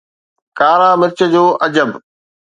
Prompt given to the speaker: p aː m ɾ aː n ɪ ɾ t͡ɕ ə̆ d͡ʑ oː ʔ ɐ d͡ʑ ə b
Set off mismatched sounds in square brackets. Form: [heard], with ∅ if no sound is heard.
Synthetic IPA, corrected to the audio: [k] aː [∅] ɾ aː [m] ɪ ɾ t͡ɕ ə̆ d͡ʑ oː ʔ ɐ d͡ʑ ə b